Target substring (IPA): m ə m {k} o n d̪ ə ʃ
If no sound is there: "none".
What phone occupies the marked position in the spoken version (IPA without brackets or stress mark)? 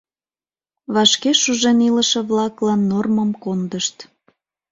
k